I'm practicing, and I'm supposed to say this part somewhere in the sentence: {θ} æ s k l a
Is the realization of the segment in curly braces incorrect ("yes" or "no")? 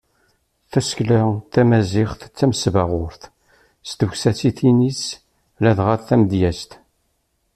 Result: no